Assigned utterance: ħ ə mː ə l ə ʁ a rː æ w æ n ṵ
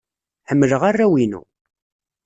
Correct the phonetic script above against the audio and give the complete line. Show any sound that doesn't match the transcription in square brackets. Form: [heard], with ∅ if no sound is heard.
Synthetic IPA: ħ ə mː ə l ə ʁ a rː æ w [i] n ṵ